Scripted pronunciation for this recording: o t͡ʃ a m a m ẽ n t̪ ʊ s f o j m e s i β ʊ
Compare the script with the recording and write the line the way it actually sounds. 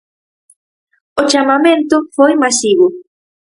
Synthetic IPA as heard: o t͡ʃ a m a m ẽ n t̪ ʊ f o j m a s i β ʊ